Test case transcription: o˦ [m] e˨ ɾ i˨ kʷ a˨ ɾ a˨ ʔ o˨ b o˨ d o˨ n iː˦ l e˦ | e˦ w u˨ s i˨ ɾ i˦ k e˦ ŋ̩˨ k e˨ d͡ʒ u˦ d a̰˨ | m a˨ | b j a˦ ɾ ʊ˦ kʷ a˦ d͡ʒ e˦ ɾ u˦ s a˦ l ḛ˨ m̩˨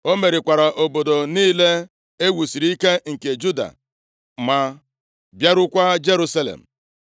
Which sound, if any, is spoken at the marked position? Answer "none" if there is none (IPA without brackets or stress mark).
m